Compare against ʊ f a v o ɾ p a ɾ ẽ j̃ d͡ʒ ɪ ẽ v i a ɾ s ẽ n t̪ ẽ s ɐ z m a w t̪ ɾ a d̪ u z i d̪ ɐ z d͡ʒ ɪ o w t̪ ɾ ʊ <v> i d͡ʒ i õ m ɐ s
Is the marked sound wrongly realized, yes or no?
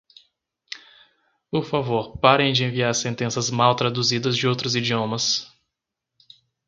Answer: yes